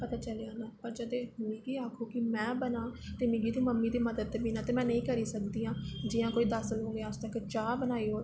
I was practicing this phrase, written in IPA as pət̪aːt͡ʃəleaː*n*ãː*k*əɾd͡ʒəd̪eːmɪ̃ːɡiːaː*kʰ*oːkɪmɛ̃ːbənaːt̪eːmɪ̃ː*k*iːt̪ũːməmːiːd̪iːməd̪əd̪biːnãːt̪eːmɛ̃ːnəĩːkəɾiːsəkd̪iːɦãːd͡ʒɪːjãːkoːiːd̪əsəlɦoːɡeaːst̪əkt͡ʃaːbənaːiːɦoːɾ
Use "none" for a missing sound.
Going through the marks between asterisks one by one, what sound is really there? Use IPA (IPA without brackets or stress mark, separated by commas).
n, p, kʰ, ɡ